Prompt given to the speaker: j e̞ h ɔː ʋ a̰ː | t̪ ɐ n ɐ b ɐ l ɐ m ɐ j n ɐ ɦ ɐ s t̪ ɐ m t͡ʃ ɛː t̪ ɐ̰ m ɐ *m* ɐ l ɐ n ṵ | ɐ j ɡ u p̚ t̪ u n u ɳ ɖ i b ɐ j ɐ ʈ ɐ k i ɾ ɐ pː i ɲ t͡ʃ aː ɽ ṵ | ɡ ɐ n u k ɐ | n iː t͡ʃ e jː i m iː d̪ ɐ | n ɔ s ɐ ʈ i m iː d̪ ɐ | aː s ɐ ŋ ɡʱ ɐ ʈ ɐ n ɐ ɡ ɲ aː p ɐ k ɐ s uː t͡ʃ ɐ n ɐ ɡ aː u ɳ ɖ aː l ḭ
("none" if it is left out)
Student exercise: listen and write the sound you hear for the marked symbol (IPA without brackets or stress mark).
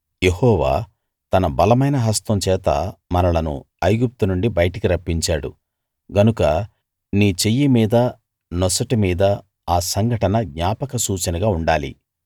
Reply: n